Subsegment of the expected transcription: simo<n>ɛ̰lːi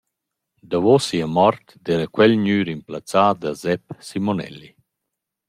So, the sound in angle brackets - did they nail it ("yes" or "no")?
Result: yes